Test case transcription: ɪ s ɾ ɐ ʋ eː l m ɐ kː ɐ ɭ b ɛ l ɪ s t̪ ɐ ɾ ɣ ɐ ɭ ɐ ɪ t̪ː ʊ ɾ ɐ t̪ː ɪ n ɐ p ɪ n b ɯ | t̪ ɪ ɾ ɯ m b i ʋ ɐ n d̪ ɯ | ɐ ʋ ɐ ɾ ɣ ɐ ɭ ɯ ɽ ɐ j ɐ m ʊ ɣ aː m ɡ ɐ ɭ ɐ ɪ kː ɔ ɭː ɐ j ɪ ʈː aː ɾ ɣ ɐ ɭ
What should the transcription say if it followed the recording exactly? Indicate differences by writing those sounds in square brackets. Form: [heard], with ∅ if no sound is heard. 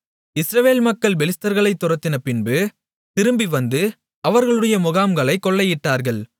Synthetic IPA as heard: ɪ s ɾ ɐ ʋ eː l m ɐ kː ɐ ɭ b ɛ l ɪ s t̪ ɐ ɾ ɣ ɐ ɭ ɐ ɪ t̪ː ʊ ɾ ɐ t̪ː ɪ n ɐ p ɪ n b ɯ | t̪ ɪ ɾ ɯ m b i ʋ ɐ n d̪ ɯ | ɐ ʋ ɐ ɾ ɣ ɐ ɭ ɯ ɽ ɐ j ɐ m ʊ ɣ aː m ɡ ɐ ɭ ɐ ɪ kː ɔ ɭː ɐ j ɪ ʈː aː ɾ ɣ ɐ ɭ